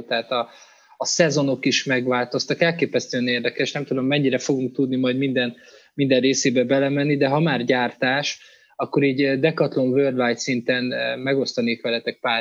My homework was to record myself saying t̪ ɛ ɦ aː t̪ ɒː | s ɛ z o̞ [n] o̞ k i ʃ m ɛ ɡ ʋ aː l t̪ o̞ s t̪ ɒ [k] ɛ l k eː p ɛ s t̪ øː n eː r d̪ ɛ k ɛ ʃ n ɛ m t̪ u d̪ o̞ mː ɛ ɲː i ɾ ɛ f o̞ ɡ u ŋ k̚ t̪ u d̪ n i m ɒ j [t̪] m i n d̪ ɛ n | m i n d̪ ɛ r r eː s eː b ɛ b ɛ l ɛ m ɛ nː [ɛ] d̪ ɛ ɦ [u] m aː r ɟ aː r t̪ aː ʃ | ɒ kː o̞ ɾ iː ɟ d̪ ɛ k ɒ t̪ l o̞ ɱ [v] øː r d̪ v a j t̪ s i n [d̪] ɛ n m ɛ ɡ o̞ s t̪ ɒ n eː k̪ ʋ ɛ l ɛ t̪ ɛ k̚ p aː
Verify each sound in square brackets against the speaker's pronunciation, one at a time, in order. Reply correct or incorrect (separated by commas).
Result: correct, correct, incorrect, incorrect, incorrect, correct, incorrect